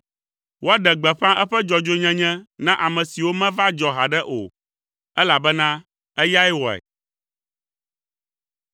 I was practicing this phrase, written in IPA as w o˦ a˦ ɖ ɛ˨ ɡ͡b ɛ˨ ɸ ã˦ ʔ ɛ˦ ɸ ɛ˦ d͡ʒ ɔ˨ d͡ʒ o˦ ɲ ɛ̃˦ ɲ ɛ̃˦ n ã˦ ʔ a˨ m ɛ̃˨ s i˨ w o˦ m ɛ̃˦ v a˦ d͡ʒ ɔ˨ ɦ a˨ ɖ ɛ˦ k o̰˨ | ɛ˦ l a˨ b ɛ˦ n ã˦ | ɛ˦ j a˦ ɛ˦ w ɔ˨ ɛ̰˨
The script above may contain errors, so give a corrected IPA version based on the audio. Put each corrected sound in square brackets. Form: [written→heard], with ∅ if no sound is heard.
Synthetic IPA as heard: w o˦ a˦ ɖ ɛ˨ ɡ͡b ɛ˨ ɸ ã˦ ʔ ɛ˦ ɸ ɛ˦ d͡ʒ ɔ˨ d͡ʒ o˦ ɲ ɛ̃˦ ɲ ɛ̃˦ n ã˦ ʔ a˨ m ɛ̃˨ s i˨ w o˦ m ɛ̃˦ v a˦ d͡ʒ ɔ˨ ɦ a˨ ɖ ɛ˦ [k→ʔ] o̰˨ | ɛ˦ l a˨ b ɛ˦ n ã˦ | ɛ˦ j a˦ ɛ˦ w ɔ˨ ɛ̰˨

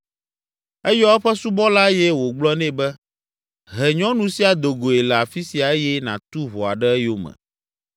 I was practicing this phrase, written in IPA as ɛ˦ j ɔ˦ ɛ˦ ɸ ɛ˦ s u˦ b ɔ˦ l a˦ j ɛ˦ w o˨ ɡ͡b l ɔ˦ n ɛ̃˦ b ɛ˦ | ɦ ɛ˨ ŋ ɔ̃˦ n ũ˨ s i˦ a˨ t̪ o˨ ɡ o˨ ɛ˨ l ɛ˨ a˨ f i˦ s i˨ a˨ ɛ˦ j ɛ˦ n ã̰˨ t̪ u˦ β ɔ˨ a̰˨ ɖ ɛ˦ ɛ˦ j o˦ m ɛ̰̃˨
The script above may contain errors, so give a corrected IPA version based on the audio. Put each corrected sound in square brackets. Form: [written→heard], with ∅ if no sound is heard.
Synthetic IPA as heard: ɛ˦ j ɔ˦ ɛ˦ ɸ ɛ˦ s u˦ b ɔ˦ l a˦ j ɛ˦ w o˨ ɡ͡b l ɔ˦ n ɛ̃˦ b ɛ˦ | ɦ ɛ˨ [ŋ→ɲ] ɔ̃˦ n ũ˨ s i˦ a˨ [t̪→d̪] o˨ ɡ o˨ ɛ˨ l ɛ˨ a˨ f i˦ s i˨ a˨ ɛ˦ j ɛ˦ n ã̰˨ t̪ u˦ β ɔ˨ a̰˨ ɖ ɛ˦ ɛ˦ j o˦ m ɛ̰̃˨

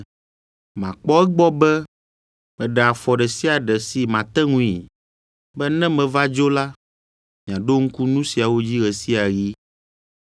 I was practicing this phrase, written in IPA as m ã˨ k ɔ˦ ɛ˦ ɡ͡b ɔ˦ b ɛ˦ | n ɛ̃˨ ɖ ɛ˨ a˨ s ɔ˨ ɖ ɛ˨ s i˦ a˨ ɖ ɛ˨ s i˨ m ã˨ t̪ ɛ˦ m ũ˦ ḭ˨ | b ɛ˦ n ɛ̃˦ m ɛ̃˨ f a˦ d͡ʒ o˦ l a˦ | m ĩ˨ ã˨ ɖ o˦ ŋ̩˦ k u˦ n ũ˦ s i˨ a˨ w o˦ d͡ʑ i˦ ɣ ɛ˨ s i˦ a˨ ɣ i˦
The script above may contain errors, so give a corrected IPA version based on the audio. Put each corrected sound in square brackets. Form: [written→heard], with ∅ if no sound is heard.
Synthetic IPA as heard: m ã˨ [k→k͡p] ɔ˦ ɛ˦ ɡ͡b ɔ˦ b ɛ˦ | [n→m] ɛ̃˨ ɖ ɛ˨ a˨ [s→f] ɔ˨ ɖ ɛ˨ s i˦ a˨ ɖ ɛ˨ s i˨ m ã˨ t̪ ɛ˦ [m→ŋ] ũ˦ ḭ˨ | b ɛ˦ n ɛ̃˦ m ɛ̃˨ [f→v] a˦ d͡ʒ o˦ l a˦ | m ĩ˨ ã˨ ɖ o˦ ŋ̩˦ k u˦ n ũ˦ s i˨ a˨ w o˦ d͡ʑ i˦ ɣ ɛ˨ s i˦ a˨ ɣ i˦

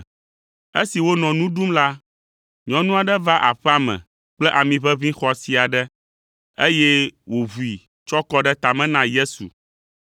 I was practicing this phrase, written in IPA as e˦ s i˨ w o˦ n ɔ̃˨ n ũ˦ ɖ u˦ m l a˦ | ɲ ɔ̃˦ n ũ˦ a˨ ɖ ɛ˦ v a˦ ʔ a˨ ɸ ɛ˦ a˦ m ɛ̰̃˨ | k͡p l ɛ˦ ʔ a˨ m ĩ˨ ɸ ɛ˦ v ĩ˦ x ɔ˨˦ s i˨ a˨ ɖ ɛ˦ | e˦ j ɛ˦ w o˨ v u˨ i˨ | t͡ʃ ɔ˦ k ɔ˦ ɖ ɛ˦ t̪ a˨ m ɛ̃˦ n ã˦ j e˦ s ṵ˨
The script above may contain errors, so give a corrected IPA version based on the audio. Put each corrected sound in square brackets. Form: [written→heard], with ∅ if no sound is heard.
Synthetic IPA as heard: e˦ s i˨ w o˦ n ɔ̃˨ n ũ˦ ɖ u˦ m l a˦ | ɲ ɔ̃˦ n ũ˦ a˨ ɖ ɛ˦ v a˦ ʔ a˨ ɸ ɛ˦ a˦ m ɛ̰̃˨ | k͡p l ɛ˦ ʔ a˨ m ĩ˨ ɸ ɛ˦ v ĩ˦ x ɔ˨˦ s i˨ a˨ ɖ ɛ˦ | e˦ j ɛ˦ w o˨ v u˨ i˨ | t͡ʃ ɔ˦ k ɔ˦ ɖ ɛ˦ t̪ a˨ m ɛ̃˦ n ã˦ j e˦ s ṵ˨

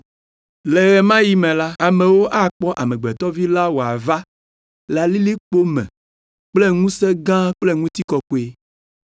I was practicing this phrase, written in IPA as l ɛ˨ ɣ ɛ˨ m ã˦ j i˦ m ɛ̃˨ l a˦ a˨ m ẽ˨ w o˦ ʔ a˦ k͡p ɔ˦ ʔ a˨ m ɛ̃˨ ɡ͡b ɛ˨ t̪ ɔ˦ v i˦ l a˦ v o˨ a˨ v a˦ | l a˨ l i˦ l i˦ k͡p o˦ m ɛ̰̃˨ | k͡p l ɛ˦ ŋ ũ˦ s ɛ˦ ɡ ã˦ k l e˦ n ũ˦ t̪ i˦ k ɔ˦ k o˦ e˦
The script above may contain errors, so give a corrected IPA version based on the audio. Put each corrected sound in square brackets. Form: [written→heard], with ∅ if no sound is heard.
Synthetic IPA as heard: l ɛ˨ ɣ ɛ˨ m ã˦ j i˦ m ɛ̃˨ l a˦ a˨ m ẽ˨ w o˦ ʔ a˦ k͡p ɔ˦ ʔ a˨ m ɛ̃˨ ɡ͡b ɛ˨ t̪ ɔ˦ v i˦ l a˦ [v→w] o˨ a˨ v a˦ | l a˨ l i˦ l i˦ k͡p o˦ m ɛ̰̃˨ | k͡p l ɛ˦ ŋ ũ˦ s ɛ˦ ɡ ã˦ [k→k͡p] l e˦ [n→ŋ] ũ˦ t̪ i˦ k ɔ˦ k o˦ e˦

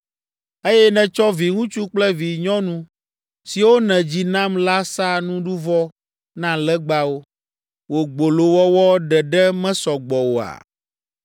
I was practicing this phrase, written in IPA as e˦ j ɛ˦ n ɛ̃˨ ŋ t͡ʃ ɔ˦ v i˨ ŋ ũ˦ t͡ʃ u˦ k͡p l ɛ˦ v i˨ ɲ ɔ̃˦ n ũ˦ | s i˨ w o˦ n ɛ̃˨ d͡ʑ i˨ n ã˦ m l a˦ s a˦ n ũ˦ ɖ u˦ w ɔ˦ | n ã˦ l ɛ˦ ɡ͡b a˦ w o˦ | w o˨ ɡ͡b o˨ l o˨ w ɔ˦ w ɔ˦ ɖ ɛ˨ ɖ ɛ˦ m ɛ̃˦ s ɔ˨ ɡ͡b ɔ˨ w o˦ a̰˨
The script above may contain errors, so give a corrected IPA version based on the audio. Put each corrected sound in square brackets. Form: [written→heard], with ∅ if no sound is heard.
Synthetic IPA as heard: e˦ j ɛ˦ n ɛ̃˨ [ŋ→∅] t͡ʃ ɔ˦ v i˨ ŋ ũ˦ t͡ʃ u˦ k͡p l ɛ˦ v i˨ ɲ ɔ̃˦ n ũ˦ | s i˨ w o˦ n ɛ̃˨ d͡ʑ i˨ n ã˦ m l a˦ s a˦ n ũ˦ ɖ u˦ [w→v] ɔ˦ | n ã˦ l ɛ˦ ɡ͡b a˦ w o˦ | w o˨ ɡ͡b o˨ l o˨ w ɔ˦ w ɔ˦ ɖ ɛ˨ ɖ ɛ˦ m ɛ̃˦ s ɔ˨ ɡ͡b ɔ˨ w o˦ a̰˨

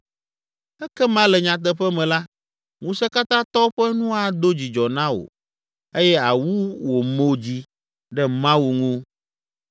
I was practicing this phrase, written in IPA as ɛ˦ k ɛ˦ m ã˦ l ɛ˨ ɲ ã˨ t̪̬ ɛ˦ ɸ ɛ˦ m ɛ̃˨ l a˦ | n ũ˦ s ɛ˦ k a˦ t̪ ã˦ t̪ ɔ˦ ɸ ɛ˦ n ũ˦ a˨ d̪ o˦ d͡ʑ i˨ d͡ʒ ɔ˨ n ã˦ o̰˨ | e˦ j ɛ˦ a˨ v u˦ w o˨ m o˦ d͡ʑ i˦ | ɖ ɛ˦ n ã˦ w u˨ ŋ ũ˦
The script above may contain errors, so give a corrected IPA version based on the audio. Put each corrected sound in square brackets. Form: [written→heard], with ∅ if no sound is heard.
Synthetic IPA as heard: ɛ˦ k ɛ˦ m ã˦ l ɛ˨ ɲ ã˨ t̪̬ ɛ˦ ɸ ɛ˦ m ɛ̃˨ l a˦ | [n→ŋ] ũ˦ s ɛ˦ k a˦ t̪ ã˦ t̪ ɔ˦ ɸ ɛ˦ n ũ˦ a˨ d̪ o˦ d͡ʑ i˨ d͡ʒ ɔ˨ n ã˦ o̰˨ | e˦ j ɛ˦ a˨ [v→w] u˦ w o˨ m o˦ d͡ʑ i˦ | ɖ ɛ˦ [n→m] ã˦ w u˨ ŋ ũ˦

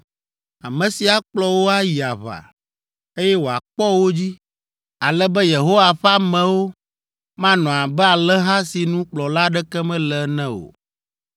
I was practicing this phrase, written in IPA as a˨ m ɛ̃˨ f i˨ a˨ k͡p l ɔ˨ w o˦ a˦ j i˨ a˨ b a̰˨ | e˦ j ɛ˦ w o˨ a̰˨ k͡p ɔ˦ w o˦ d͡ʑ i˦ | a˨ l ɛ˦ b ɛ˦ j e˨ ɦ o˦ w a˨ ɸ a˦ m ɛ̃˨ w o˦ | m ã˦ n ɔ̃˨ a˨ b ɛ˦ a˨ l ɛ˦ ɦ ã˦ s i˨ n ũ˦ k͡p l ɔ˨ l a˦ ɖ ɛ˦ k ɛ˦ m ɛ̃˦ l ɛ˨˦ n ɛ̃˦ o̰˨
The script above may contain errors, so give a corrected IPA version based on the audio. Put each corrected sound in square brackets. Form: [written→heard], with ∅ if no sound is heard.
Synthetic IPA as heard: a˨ m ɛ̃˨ [f→s] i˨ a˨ k͡p l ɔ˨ w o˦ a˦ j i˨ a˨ [b→β] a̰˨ | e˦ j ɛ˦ w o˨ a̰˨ k͡p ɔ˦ w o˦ d͡ʑ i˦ | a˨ l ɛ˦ b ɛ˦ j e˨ ɦ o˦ w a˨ ɸ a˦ m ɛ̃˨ w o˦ | m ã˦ n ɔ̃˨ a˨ b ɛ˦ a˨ l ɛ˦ ɦ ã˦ s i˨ n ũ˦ k͡p l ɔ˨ l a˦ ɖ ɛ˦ k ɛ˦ m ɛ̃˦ l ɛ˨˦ n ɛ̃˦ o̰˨

